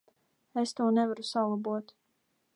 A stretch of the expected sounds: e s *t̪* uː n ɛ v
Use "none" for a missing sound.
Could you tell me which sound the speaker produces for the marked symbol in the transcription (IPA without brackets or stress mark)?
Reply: t̪